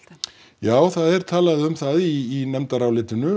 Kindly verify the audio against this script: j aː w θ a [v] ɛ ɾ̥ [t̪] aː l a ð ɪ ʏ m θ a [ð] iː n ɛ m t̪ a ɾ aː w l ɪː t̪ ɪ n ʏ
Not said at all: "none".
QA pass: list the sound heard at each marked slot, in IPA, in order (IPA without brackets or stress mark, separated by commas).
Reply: ð, t̪ʰ, ð